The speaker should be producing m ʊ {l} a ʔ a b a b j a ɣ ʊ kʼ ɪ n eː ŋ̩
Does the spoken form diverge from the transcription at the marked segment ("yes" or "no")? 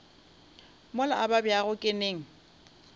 no